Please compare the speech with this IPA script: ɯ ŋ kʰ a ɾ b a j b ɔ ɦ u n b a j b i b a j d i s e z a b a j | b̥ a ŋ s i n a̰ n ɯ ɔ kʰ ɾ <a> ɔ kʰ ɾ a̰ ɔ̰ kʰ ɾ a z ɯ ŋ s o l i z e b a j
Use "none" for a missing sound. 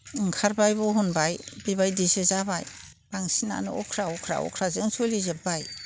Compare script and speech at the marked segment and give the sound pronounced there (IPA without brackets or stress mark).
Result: a